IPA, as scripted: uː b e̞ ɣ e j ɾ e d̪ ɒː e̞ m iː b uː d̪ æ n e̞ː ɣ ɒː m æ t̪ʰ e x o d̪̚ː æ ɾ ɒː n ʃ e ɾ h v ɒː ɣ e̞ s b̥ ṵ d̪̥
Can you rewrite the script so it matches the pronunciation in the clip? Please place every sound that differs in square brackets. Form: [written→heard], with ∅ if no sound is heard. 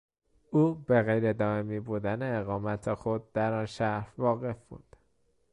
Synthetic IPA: uː b e̞ ɣ e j ɾ e d̪ ɒː e̞ m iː b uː d̪ æ n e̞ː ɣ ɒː m æ t̪ʰ e x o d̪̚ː æ ɾ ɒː n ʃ [e→æ] ɾ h v ɒː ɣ e̞ [s→f] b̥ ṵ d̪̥